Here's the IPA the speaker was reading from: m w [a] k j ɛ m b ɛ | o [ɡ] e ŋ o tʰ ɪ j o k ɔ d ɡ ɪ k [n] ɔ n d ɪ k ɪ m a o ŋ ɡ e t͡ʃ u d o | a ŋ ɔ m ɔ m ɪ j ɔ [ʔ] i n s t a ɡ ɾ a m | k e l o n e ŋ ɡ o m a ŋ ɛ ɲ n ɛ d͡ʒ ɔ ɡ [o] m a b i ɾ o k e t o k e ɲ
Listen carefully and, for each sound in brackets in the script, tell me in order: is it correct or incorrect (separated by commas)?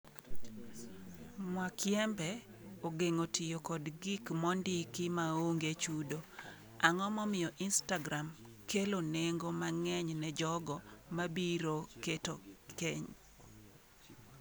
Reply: correct, correct, incorrect, correct, incorrect